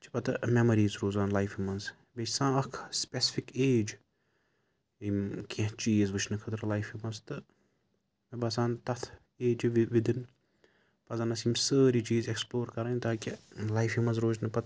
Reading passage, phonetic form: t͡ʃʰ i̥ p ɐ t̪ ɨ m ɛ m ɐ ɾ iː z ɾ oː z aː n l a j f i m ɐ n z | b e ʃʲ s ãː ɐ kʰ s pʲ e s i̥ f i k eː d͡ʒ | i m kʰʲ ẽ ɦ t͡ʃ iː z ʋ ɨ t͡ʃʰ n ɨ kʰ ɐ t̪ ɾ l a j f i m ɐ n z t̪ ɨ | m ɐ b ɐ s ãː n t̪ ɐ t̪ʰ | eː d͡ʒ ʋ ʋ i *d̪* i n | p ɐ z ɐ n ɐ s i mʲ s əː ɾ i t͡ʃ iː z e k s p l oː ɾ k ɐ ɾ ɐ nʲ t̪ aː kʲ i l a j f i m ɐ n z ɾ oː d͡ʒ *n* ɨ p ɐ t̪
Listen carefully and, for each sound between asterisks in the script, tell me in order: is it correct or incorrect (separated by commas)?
correct, correct